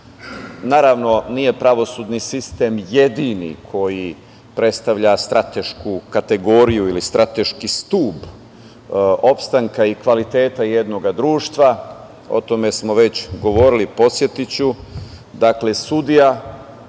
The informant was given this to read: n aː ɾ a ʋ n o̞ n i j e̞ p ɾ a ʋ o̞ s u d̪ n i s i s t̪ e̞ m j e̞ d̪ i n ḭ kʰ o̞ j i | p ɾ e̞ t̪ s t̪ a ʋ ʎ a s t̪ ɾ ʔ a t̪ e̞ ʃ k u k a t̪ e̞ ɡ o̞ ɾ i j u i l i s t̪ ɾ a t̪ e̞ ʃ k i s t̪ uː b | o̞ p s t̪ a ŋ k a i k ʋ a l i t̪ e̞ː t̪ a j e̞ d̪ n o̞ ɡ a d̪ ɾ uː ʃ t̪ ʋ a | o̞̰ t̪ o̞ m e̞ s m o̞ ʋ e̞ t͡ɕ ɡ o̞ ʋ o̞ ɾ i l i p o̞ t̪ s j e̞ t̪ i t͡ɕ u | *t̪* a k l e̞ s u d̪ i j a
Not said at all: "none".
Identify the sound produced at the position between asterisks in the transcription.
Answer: d̪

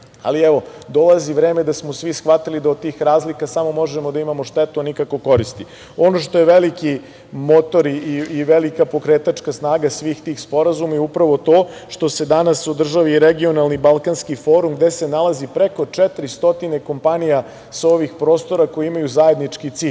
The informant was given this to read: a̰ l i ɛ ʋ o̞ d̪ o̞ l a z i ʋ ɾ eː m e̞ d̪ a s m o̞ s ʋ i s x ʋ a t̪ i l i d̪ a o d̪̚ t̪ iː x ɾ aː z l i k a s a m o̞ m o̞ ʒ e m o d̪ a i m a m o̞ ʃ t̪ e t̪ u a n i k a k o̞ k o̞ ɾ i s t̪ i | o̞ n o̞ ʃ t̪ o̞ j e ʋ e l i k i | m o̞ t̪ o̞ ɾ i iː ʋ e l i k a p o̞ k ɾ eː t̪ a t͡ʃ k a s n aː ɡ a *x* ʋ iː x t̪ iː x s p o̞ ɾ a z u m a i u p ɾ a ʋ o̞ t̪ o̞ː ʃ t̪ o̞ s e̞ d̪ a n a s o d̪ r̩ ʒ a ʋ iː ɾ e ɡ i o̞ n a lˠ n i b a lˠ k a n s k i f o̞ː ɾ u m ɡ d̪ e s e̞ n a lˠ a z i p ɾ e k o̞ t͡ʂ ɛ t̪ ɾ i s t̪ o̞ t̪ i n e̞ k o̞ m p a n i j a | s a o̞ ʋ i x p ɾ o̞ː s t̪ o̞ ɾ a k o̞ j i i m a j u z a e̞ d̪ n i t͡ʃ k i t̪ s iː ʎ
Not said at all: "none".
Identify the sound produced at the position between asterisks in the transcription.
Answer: s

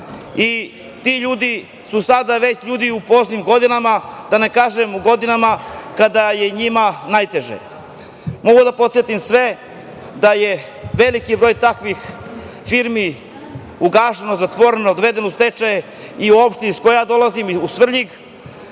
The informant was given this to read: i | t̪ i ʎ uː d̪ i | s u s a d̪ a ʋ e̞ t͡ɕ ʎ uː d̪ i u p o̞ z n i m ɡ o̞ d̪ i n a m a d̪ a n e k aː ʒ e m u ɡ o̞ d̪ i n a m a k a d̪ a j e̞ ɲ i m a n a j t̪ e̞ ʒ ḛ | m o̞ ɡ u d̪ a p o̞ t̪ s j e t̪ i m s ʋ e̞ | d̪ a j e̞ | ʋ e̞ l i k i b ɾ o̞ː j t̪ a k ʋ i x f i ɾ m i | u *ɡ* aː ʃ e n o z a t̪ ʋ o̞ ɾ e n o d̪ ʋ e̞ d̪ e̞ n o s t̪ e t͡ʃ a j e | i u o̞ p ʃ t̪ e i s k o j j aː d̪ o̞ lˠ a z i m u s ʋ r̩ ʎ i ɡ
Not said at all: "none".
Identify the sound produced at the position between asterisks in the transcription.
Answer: ɡ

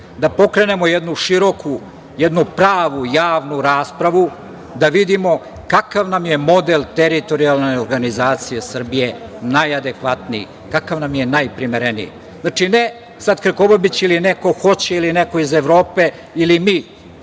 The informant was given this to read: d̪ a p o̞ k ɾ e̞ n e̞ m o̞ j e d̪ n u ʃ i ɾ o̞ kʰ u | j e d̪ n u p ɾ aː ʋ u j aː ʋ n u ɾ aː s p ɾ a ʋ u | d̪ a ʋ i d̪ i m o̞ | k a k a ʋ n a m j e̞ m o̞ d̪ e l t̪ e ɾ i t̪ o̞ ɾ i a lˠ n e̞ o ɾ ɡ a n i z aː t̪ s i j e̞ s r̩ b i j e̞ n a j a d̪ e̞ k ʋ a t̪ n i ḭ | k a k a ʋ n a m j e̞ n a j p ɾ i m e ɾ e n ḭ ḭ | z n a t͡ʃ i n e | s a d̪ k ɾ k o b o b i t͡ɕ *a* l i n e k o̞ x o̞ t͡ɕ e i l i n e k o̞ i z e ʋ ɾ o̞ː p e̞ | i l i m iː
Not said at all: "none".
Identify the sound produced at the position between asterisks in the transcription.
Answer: i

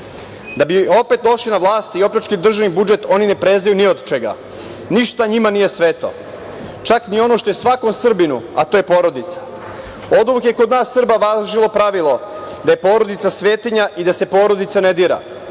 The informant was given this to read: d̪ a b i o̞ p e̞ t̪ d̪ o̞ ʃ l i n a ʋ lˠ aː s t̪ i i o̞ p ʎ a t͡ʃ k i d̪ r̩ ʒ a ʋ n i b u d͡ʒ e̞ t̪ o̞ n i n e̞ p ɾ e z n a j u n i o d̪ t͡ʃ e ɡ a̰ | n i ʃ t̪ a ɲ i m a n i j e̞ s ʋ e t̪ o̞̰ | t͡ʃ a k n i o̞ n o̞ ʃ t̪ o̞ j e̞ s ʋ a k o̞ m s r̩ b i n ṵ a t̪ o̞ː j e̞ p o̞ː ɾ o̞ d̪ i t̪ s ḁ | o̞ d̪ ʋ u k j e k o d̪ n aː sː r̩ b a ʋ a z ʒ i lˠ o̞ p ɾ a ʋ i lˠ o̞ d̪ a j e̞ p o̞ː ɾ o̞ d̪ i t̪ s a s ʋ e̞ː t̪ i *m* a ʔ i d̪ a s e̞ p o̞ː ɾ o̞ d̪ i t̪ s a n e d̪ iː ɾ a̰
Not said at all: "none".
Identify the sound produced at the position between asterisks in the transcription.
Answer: ɲ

